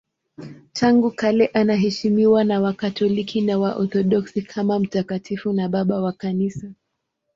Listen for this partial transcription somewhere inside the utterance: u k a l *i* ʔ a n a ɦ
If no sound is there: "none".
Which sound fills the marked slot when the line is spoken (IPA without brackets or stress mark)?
ɛ